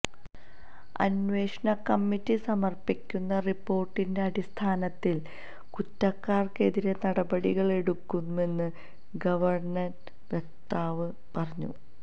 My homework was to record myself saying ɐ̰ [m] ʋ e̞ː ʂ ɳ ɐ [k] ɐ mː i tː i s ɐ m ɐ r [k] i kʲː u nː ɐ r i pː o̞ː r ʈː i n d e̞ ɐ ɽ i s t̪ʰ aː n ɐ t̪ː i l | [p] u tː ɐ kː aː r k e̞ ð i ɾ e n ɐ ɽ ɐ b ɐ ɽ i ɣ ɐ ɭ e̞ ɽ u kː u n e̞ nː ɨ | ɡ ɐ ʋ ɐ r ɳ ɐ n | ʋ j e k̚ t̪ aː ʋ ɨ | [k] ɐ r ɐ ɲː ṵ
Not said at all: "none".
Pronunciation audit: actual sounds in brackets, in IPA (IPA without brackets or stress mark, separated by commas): n, k, p, k, p